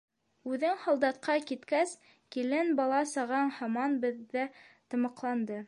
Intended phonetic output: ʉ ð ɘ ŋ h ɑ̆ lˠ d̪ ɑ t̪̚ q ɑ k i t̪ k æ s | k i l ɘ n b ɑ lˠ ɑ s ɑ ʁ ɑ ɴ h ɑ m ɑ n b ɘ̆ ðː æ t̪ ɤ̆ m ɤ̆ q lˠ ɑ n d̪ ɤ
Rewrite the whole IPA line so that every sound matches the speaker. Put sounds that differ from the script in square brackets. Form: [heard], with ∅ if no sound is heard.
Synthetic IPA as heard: ʉ ð ɘ ŋ h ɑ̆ lˠ d̪ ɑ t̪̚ q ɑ k i t̪ k æ s | k i l ɘ n b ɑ lˠ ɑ s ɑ ʁ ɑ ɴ h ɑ m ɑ n b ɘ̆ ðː æ t̪ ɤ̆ m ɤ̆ q lˠ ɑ n d̪ ɤ